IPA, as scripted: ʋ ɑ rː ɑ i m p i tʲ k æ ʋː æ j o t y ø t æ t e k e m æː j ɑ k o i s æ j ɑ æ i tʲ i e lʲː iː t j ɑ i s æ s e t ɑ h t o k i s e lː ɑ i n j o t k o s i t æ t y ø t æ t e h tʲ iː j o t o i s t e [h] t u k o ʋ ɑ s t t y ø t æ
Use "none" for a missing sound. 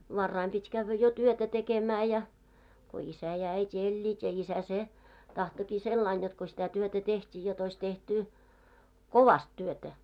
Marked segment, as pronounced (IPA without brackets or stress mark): h